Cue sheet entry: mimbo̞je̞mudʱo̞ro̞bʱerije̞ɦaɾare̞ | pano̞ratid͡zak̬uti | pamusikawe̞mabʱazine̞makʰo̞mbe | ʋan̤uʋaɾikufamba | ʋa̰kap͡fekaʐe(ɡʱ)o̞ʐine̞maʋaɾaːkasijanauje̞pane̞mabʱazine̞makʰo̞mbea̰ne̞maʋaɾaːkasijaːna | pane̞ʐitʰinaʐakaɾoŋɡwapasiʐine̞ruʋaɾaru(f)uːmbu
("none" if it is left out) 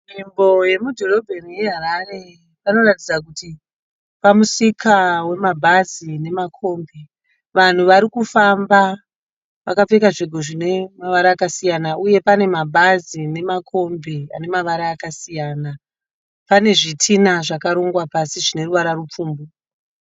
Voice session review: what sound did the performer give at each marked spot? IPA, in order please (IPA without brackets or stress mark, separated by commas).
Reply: ɡʱ, p͡f